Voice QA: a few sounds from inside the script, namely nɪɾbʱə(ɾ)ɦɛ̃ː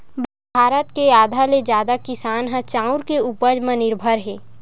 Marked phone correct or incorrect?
correct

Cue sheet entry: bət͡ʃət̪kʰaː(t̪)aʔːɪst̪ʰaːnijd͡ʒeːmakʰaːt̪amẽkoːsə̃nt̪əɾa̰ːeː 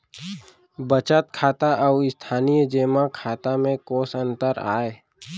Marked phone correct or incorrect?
correct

